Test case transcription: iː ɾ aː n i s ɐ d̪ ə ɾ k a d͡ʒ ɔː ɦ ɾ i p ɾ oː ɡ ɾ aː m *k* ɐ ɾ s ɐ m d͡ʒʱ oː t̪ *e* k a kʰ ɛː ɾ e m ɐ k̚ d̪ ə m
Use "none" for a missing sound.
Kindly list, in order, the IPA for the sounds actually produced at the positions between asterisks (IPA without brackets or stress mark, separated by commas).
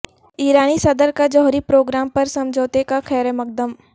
p, e